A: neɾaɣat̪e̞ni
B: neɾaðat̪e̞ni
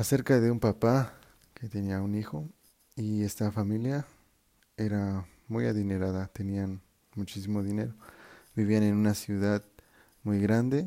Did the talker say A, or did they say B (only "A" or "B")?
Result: B